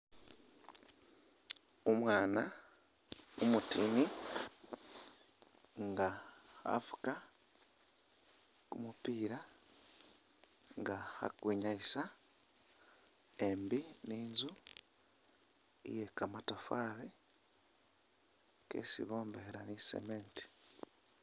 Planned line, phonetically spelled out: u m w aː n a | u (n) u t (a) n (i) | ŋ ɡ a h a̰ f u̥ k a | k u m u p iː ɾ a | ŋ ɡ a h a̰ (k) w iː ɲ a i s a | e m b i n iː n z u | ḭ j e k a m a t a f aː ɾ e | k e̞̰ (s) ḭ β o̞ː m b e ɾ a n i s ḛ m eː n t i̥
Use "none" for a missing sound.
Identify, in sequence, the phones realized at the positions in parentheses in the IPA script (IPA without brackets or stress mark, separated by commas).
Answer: m, i, i, k, s